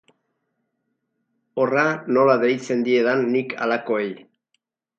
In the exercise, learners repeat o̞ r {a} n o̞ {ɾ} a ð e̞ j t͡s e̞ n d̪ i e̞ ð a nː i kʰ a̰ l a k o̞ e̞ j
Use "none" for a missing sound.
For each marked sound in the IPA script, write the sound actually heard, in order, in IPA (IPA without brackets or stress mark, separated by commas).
a, l